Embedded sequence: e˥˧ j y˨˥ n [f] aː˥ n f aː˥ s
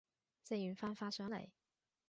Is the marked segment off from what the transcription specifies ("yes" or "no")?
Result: no